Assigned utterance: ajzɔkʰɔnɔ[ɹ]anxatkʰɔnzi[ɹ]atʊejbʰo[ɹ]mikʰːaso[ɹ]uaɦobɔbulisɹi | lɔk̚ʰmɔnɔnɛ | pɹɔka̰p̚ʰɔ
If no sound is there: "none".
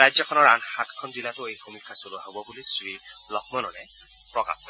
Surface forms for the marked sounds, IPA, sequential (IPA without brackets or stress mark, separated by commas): ɹ, l, none, l